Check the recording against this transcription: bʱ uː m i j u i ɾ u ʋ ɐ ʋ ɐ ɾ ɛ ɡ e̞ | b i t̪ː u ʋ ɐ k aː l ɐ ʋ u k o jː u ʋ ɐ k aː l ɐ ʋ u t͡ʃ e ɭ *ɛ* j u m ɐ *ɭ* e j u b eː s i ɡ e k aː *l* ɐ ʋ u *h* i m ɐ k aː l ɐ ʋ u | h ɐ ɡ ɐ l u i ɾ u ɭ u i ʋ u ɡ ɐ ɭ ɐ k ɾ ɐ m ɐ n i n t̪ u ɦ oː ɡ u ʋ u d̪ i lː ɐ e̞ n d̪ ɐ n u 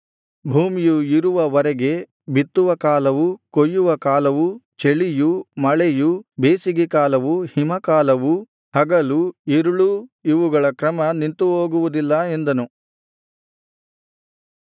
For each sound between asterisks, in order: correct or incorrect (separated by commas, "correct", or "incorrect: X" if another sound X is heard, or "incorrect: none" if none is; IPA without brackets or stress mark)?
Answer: incorrect: i, correct, correct, correct